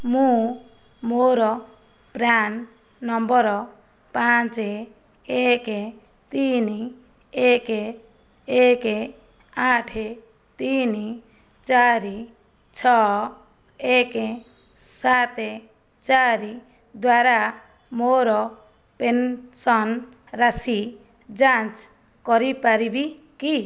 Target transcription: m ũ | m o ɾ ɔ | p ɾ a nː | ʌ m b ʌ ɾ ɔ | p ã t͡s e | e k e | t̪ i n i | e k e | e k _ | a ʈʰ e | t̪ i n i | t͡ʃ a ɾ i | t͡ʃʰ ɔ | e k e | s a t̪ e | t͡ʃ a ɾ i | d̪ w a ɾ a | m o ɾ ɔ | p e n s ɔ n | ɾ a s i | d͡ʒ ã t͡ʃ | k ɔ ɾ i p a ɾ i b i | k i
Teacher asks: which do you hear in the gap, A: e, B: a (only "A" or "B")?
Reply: A